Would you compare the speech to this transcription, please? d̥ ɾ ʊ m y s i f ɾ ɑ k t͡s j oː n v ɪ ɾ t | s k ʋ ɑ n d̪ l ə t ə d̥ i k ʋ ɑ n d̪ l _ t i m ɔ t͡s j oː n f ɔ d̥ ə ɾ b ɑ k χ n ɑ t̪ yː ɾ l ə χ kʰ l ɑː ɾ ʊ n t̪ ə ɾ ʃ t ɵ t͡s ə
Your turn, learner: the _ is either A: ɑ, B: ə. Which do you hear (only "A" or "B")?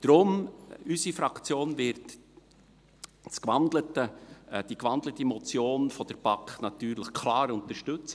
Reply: B